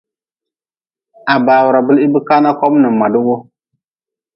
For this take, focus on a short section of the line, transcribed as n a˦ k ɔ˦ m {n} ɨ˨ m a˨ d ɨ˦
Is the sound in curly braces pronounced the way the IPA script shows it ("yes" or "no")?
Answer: yes